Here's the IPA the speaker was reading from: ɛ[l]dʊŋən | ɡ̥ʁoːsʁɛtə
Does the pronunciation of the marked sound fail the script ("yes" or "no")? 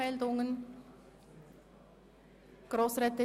no